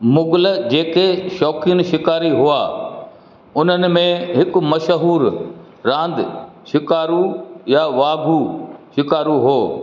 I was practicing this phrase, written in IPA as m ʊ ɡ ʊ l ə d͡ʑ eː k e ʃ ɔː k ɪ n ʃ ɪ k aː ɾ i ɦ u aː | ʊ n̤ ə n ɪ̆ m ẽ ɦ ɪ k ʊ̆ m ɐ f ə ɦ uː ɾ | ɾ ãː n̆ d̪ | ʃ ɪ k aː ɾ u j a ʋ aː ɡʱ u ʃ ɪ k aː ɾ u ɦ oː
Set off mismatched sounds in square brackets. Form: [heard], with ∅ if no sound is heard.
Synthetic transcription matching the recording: m ʊ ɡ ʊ l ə d͡ʑ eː k e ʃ ɔː k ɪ n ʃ ɪ k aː ɾ i ɦ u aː | ʊ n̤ ə n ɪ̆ m ẽ ɦ ɪ k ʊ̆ m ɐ [ʃ] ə ɦ uː ɾ | ɾ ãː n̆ d̪ | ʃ ɪ k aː ɾ u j a ʋ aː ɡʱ u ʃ ɪ k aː ɾ u ɦ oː